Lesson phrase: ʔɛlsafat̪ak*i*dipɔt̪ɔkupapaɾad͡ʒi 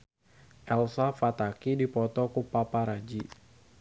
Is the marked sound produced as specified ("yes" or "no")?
yes